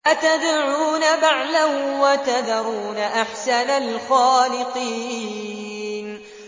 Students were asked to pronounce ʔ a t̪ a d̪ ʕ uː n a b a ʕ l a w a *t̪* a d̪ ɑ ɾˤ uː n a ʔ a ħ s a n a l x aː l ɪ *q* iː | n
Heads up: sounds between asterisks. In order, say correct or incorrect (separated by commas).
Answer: correct, correct